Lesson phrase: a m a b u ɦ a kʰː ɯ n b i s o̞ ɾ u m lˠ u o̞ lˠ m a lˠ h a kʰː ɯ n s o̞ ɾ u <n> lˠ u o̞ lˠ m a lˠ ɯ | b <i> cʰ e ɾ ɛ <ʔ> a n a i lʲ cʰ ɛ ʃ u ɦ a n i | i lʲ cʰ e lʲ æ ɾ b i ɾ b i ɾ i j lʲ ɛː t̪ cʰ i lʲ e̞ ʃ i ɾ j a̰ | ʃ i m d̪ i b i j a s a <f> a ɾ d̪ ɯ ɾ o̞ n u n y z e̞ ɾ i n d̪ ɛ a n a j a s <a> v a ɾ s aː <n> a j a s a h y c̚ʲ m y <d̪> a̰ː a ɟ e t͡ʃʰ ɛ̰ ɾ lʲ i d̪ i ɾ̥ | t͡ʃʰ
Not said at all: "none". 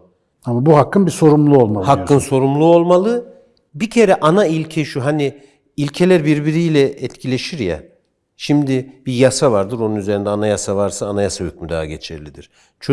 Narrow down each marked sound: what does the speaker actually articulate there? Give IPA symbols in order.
m, i, ʔ, v, a, n, d̪

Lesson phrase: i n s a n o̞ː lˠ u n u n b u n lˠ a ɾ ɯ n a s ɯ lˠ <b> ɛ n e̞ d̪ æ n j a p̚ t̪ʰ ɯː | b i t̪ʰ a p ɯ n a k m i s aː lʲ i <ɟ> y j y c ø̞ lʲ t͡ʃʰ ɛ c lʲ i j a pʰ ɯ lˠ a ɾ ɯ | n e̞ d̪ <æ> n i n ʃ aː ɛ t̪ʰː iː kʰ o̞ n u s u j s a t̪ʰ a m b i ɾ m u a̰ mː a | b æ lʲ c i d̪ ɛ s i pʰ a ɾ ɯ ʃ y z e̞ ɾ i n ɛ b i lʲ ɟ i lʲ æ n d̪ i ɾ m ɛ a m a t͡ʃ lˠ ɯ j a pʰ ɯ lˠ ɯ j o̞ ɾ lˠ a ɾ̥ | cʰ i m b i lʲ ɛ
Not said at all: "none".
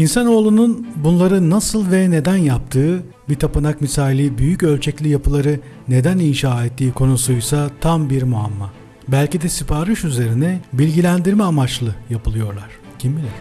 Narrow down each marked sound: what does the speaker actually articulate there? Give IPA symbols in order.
v, b, æ

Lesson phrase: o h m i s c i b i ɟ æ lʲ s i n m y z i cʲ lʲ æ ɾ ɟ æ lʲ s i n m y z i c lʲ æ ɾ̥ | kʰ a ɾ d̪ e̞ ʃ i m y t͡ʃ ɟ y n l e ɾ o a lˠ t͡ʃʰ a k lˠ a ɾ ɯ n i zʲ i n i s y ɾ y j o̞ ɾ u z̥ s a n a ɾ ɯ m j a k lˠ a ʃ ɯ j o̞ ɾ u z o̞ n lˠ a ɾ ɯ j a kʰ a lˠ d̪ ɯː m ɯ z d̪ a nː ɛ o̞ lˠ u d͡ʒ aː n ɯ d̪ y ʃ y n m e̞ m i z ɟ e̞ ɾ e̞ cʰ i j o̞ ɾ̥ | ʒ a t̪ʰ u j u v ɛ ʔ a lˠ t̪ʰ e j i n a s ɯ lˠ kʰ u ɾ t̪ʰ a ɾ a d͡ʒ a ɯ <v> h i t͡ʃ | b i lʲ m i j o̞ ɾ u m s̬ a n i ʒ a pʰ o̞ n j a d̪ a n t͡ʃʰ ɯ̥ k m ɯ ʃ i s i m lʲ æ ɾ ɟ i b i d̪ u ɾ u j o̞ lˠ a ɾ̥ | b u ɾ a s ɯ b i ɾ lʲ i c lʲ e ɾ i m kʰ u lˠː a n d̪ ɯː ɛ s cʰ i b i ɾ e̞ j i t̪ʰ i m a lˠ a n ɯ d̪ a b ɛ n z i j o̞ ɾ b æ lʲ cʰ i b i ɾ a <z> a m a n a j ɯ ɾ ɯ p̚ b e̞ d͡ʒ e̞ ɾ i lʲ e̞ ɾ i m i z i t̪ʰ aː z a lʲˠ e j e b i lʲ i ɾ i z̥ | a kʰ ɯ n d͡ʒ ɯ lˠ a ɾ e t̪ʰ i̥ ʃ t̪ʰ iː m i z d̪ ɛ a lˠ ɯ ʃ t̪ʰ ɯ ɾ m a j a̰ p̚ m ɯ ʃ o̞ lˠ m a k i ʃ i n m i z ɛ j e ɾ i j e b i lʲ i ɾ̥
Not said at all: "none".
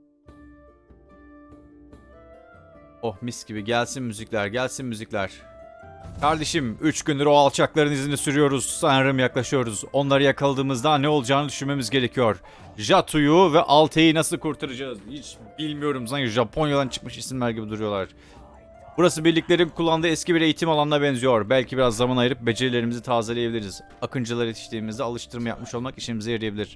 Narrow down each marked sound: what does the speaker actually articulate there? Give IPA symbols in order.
z, zː

